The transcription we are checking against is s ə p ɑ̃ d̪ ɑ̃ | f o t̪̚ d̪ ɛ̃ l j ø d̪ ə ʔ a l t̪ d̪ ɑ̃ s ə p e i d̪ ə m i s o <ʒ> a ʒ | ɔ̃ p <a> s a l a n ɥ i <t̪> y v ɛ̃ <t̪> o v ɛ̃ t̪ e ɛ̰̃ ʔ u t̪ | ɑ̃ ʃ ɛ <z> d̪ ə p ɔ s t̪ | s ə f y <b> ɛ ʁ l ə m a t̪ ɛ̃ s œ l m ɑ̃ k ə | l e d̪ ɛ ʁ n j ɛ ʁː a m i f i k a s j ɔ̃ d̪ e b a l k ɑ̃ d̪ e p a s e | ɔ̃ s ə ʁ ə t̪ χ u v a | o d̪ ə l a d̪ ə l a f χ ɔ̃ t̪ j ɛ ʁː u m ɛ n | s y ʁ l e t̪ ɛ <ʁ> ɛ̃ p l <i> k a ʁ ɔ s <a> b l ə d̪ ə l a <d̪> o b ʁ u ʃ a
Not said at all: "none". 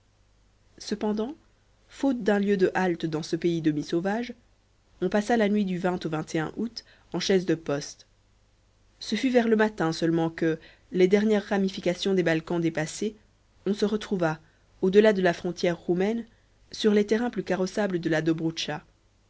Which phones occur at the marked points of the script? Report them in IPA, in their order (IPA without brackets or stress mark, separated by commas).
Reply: v, a, d̪, t̪, z, v, ʁ, y, a, d̪